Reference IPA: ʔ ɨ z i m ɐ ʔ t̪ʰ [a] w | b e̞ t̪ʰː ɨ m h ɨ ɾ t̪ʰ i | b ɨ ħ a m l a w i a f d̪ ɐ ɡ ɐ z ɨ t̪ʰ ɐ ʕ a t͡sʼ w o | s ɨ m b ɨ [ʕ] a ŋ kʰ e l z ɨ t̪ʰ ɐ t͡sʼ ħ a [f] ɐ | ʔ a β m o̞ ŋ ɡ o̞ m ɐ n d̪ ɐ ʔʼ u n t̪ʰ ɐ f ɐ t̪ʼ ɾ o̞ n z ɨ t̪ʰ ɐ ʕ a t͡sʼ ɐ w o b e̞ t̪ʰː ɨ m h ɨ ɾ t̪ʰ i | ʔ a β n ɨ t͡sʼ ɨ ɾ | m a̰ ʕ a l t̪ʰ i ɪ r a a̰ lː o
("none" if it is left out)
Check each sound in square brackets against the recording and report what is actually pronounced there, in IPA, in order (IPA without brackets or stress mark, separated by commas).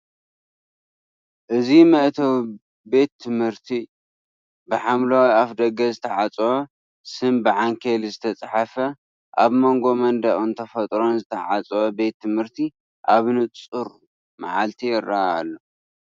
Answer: ɐ, ʕ, f